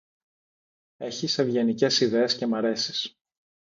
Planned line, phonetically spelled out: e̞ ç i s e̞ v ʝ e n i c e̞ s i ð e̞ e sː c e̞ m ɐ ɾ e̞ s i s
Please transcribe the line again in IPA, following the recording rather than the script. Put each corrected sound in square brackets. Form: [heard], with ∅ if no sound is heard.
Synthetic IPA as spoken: e̞ ç i s e̞ v ʝ e n i c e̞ s i ð e̞ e [s] c e̞ m ɐ ɾ e̞ s i s